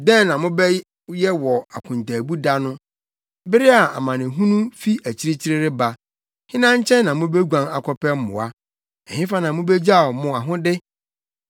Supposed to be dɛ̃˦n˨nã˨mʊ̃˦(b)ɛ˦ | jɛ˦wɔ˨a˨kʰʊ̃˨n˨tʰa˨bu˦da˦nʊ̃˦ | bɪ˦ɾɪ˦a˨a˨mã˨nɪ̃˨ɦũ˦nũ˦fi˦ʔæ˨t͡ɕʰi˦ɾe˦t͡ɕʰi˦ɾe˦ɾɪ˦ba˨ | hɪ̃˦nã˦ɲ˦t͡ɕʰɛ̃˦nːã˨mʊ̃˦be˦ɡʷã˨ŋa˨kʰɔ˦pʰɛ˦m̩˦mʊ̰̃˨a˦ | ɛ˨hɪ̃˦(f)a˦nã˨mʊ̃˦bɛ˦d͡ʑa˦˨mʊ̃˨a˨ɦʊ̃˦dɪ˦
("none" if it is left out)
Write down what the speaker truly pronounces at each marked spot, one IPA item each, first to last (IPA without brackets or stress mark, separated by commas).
b, f